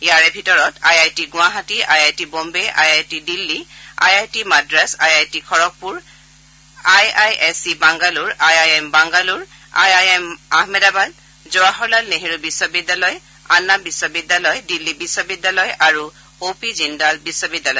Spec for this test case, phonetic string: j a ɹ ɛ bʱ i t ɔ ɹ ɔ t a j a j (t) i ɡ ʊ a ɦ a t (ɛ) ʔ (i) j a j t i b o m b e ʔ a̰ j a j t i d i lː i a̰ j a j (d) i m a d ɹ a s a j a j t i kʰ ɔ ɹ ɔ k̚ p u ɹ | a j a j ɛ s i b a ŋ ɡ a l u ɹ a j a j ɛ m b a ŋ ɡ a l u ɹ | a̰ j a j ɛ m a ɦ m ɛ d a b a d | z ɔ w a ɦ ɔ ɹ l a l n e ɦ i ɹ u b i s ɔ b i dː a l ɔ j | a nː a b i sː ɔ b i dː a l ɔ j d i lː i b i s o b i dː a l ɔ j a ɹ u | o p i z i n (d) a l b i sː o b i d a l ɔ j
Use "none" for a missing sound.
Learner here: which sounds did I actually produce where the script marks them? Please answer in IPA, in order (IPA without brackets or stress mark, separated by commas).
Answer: t, i, a, t, d